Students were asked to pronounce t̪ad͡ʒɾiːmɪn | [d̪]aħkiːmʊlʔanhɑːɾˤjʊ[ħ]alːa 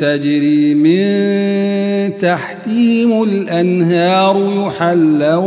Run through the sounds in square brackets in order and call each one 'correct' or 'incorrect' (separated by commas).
incorrect, correct